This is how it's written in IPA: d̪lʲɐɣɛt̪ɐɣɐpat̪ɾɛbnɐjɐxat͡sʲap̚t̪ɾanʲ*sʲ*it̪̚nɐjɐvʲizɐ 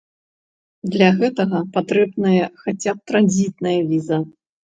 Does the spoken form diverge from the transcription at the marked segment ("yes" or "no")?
yes